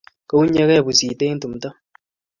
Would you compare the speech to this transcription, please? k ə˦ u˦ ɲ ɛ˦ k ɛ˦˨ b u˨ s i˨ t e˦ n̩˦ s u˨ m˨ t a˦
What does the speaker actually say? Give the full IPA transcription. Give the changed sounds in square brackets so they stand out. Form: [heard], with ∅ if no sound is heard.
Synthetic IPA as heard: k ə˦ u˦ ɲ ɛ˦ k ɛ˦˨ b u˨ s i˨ t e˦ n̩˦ [t] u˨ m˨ t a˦